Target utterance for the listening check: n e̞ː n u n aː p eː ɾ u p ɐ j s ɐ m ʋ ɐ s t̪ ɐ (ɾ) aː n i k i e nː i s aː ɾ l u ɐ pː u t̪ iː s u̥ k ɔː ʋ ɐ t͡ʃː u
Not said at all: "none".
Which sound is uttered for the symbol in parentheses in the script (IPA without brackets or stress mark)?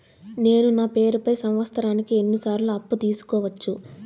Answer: ɾ